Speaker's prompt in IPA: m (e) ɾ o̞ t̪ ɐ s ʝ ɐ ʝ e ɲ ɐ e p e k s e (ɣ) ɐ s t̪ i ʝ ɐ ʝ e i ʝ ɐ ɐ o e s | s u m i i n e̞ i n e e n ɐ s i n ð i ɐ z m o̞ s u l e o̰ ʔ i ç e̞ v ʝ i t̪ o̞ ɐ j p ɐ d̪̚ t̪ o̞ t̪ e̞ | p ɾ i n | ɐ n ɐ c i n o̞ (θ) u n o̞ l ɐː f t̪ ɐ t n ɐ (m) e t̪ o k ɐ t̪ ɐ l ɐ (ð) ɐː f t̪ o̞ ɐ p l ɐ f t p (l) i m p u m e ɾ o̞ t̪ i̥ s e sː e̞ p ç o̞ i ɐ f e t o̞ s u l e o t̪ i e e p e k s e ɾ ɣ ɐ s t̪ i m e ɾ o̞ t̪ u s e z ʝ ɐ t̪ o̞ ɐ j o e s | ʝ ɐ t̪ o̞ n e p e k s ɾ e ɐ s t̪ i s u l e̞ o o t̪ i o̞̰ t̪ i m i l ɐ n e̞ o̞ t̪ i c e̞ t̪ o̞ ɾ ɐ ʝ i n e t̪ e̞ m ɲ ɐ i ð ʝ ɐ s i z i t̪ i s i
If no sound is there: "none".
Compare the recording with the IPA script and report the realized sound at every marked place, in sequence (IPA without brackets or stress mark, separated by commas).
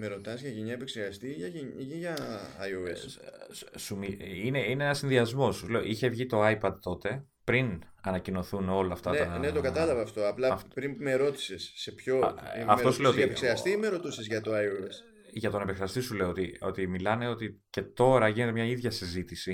e, ɣ, θ, n, v, ɾ